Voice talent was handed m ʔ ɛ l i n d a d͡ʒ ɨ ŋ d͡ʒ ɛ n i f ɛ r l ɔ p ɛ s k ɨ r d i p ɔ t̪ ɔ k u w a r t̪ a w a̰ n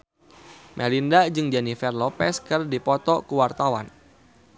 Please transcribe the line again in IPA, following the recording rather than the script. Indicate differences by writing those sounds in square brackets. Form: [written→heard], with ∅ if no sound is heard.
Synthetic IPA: m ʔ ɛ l i n d a d͡ʒ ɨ ŋ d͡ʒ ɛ n i f ɛ r l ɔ p ɛ s k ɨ r d i p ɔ t̪ ɔ k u w a r t̪ a w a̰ n